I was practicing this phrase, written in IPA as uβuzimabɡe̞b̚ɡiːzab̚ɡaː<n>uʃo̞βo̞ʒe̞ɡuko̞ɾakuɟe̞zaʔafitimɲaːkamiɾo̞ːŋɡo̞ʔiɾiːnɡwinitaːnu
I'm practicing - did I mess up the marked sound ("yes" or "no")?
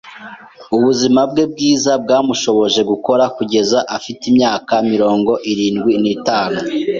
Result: yes